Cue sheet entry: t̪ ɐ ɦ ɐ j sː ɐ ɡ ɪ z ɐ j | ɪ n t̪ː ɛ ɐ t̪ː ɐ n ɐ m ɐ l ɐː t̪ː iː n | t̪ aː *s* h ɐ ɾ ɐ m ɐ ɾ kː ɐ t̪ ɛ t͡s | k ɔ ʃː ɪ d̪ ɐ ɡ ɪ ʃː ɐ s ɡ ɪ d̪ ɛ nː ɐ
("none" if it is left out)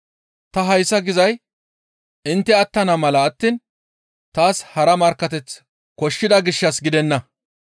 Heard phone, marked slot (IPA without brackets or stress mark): s